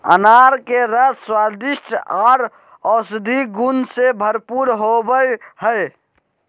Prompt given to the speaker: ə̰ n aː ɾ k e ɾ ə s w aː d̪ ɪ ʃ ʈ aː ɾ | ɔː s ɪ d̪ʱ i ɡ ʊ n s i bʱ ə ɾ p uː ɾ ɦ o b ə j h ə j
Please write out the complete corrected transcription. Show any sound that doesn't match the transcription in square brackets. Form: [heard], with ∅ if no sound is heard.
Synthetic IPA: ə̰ n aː ɾ k e ɾ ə s w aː d̪ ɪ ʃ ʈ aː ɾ | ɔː s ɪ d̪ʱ i ɡ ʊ n s [e] bʱ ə ɾ p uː ɾ ɦ o b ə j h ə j